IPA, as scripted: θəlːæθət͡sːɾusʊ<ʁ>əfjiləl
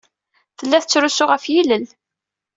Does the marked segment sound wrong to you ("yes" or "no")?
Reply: no